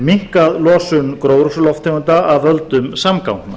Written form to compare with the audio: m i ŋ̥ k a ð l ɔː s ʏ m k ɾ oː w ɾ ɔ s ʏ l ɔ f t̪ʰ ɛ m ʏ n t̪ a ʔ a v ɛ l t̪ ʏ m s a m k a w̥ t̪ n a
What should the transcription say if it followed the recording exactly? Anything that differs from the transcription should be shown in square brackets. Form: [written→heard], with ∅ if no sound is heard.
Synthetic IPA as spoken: m i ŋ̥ k a ð l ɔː s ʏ [m→n] k ɾ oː w ɾ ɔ s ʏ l ɔ f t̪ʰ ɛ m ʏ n t̪ a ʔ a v [ɛ→œ] l t̪ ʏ m s a m k a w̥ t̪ n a